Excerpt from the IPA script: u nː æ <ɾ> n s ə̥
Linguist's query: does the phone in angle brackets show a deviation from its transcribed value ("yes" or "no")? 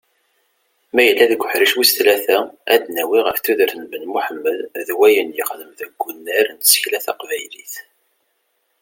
no